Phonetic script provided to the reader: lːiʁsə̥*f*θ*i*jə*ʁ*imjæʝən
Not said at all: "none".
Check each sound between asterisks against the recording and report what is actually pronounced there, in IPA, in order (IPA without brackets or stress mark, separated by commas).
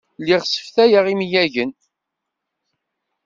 f, æ, ʁ